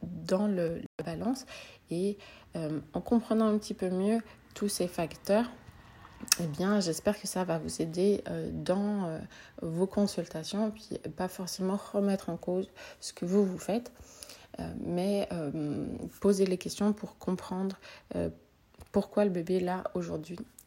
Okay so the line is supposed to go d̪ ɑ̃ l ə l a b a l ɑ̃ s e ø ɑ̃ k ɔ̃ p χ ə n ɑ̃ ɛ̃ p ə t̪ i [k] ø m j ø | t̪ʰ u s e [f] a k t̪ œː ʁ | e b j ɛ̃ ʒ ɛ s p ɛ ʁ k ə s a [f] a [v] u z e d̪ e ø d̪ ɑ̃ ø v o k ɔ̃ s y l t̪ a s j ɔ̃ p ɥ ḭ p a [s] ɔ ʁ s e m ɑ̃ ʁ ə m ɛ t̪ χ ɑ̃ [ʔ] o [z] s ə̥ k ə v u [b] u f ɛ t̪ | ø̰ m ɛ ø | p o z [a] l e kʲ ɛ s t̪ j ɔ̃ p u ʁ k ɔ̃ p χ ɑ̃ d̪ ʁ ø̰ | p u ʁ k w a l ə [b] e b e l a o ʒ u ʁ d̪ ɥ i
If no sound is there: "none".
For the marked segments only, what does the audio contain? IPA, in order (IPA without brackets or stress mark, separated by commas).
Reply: p, f, v, v, f, k, z, v, e, b